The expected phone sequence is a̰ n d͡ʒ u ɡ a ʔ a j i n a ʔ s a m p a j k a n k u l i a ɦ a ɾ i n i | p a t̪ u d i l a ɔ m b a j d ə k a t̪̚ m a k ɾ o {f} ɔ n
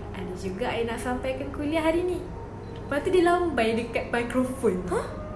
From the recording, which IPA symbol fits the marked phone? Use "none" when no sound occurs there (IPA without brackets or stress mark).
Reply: f